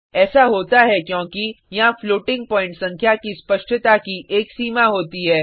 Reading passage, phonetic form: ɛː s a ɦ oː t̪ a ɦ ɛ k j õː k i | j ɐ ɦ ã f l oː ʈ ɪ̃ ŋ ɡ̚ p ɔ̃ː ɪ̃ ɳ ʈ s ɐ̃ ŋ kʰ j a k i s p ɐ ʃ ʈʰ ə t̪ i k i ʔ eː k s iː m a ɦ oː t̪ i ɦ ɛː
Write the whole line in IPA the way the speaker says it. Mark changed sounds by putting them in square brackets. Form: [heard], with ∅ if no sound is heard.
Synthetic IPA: ɛː s a ɦ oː t̪ a ɦ ɛ k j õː k i | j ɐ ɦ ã f l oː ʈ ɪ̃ ŋ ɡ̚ p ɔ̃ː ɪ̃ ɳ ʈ s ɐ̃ ŋ kʰ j a k i s p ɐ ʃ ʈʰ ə t̪ [a] k i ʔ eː k s iː m a ɦ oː t̪ i ɦ ɛː

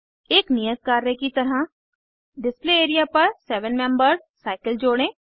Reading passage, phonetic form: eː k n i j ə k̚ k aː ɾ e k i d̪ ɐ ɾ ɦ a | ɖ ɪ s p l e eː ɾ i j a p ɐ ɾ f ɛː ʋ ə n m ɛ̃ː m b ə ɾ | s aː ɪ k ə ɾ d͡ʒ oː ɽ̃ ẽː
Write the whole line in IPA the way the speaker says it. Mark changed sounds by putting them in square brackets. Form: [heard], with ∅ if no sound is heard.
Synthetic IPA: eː k n i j ə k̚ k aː ɾ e k i [t̪] ɐ ɾ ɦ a | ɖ ɪ s p l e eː ɾ i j a p ɐ ɾ [s] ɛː ʋ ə n m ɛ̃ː m b ə ɾ | s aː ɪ k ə [l] d͡ʒ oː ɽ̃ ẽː

